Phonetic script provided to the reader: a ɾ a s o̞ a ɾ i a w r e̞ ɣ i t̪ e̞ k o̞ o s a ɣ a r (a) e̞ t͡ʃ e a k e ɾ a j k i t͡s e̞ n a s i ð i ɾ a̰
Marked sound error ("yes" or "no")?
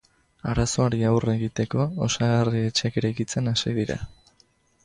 yes